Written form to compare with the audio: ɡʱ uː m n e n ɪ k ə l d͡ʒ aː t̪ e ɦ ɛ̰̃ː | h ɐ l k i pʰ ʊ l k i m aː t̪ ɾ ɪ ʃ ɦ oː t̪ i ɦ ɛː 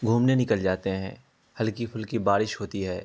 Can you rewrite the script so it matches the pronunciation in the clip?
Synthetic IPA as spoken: ɡʱ uː m n e n ɪ k ə l d͡ʒ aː t̪ e ɦ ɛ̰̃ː | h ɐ l k i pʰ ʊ l k i b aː ɾ ɪ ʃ ɦ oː t̪ i ɦ ɛː